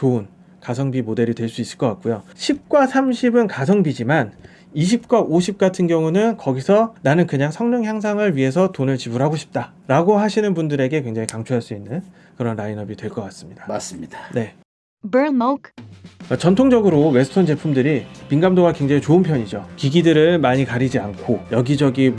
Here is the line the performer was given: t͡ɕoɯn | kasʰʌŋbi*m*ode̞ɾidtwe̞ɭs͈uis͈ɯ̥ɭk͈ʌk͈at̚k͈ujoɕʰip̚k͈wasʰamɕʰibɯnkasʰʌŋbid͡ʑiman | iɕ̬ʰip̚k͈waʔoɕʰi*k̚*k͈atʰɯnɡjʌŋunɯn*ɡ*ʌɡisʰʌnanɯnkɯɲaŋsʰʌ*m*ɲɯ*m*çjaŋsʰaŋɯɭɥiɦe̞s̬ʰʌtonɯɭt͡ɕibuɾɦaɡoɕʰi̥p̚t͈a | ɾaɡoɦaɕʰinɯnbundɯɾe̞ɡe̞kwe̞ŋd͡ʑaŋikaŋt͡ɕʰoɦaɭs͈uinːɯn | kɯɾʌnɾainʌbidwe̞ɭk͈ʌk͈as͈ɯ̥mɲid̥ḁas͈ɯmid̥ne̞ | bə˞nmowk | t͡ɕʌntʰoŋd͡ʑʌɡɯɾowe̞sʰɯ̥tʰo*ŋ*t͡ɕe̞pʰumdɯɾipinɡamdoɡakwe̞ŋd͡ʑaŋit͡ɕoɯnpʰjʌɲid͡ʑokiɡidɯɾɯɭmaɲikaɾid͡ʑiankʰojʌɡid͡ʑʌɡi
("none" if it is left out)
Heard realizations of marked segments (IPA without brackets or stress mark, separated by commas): m, p̚, k, ŋ, ŋ, n